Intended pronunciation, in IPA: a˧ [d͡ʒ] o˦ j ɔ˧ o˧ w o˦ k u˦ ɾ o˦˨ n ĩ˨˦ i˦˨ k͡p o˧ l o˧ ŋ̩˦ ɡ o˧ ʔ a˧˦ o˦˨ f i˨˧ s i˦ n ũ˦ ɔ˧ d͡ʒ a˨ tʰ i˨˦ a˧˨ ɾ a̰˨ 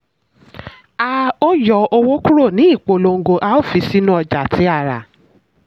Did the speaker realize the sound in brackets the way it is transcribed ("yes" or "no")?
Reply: no